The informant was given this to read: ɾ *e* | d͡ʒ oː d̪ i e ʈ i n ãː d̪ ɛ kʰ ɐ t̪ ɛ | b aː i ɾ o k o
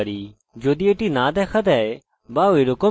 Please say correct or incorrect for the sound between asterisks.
incorrect